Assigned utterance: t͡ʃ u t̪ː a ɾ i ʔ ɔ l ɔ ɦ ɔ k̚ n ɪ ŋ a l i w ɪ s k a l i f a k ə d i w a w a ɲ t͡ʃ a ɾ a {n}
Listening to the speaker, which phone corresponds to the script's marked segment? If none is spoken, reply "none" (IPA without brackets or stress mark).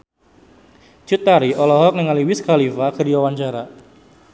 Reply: none